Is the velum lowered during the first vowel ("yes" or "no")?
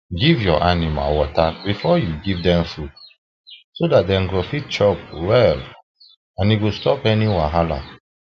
no